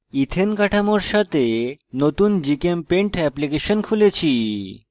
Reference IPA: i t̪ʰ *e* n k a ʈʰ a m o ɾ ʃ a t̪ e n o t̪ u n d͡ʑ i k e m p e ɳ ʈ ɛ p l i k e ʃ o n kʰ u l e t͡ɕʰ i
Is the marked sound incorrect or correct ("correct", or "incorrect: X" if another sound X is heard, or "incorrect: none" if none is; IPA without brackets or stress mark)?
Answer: correct